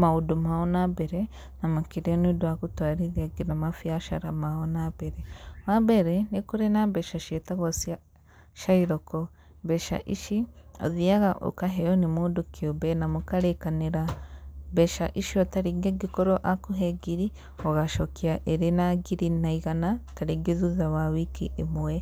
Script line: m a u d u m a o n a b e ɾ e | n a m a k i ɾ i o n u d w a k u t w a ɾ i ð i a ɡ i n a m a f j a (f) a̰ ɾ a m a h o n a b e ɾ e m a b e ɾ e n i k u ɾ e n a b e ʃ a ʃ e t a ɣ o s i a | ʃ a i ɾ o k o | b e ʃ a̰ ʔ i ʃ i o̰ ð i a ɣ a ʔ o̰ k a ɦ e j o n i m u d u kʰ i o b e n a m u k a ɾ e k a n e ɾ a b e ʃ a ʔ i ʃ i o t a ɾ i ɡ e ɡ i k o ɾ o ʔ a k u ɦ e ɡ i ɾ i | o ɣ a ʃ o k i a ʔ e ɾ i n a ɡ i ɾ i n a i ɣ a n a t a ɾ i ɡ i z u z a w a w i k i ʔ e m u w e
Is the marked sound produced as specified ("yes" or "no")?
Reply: no